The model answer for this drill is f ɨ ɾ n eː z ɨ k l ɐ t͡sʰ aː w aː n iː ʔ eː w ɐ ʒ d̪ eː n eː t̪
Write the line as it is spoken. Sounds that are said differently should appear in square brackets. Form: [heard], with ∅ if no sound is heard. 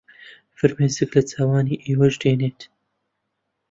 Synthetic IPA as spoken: f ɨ ɾ [m] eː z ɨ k l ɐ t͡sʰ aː w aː n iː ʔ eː w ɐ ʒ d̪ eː n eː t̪